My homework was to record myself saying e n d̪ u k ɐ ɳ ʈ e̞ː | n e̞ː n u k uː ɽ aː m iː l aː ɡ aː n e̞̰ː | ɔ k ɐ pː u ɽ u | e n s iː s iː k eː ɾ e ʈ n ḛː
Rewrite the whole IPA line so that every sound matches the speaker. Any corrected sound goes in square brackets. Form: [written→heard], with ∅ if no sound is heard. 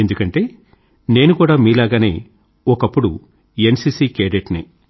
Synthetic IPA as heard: e n d̪ u k ɐ ɳ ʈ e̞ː | n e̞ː n u k uː ɽ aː m iː l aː ɡ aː n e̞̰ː | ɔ k ɐ pː u ɽ u | e n s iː s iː k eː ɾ e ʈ n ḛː